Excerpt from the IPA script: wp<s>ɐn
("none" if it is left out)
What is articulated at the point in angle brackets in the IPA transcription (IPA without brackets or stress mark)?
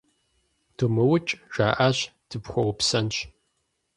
s